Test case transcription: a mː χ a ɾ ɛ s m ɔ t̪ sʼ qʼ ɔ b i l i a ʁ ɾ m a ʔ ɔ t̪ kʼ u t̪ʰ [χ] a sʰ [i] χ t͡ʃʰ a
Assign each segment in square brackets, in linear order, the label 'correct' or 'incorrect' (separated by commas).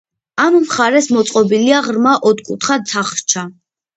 correct, incorrect